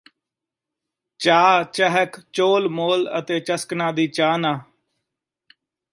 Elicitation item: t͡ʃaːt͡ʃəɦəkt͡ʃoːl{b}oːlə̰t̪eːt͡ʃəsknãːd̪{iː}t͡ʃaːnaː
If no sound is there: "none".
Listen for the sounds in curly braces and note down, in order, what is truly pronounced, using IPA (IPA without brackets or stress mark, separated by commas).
m, iː